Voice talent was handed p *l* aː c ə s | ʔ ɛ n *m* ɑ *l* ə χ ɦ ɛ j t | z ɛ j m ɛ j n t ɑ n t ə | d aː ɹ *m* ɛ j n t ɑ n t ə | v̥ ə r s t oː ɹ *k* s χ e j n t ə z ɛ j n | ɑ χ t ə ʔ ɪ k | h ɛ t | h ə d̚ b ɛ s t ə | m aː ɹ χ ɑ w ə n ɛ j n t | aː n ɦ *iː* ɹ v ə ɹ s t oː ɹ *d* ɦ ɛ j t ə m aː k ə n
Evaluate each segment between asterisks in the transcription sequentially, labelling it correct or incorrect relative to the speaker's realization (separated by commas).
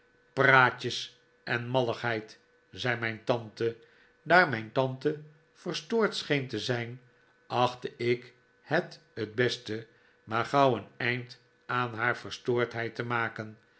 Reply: incorrect, correct, correct, correct, incorrect, incorrect, incorrect